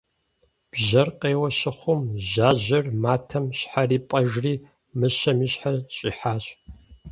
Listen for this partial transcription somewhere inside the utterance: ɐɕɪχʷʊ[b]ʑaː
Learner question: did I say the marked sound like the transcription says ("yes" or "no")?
no